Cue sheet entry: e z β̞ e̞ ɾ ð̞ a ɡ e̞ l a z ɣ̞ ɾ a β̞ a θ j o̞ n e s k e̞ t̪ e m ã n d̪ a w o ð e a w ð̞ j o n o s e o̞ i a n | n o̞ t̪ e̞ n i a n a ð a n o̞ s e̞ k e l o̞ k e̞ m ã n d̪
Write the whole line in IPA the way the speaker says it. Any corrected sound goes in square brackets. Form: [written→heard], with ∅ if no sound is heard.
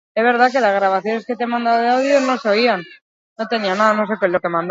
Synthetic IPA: e z β̞ e̞ ɾ ð̞ a [ɡ→k] e̞ l a z ɣ̞ ɾ a β̞ a θ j o̞ n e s k e̞ t̪ e m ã n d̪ a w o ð e a w ð̞ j o n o s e o̞ i a n | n o̞ t̪ e̞ n i a n a ð a n o̞ s e̞ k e l o̞ k e̞ m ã n d̪